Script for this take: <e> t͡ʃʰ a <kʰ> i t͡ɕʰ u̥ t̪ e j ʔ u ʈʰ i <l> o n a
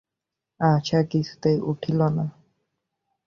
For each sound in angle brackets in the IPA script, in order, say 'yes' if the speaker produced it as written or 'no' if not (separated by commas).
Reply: no, no, yes